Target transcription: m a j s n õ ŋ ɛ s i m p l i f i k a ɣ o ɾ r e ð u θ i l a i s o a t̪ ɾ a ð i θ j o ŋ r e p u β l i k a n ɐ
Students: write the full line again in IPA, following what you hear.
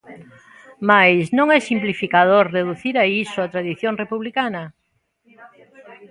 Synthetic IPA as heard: m a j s n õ ŋ ɛ s i m p l i f i k a ð o ɾ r e ð u θ i ɾ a i s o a t̪ ɾ a ð i θ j o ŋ r e p u β l i k a n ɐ

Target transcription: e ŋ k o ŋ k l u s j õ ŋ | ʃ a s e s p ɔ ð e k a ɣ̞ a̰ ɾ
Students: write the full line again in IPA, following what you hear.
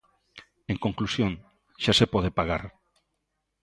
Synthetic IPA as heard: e ŋ k o ŋ k l u s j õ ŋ | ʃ a s e p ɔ ð e p a ɣ̞ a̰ ɾ

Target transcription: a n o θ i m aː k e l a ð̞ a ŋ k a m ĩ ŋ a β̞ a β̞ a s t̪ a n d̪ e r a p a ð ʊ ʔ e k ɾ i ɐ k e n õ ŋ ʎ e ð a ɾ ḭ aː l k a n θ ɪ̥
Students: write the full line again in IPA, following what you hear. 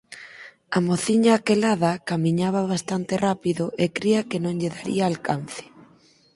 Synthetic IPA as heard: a m o θ i ɲ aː k e l a ð̞ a k a m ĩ ɲ a β̞ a β̞ a s t̪ a n t̪ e r a p i ð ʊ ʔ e k ɾ i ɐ k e n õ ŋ ʎ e ð a ɾ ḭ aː l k a n θ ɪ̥

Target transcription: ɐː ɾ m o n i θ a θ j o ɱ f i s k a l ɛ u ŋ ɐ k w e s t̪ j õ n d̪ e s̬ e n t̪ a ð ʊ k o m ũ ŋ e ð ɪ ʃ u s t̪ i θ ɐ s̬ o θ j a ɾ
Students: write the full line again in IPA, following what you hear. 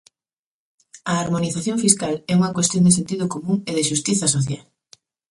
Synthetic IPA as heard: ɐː ɾ m o n i θ a θ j o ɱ f i s k a l ɛ u ŋ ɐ k w e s t̪ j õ n d̪ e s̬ e n t̪ i ð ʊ k o m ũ ŋ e ð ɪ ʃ u s t̪ i θ ɐ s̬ o θ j a l

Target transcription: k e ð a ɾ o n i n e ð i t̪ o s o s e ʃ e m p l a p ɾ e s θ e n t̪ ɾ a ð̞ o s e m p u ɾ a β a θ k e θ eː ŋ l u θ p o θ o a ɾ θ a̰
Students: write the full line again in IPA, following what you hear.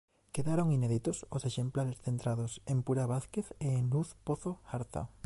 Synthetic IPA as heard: k e ð a ɾ o ŋ i n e ð i t̪ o s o s e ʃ e m p l a ɾ e s θ e n t̪ ɾ a ð̞ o s e m p u ɾ a β a θ k e θ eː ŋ l u θ p o θ o a ɾ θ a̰

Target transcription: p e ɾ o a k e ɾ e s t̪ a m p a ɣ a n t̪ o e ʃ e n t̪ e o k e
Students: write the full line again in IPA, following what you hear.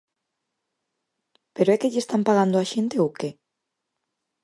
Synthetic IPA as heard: p e ɾ o ɛ k e ʎ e s t̪ a m p a ɣ a n d̪ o a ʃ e n t̪ e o k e

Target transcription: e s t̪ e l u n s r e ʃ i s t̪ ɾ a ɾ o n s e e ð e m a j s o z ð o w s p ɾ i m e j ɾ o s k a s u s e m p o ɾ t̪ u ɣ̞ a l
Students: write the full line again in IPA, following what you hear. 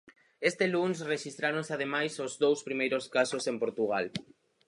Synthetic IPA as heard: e s t̪ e l u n s r e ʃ i s t̪ ɾ a ɾ o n s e a ð e m a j s o z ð o w s p ɾ i m e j ɾ o s k a s o s e m p o ɾ t̪ u ɣ̞ a l

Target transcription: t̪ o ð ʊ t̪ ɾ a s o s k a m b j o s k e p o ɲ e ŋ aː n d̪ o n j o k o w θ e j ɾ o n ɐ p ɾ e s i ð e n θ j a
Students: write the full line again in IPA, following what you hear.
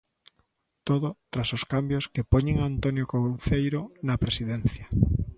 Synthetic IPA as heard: t̪ o ð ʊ t̪ ɾ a s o s k a m b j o s k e p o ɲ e ŋ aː n t̪ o n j o k o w θ e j ɾ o n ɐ p ɾ e s i ð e n θ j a

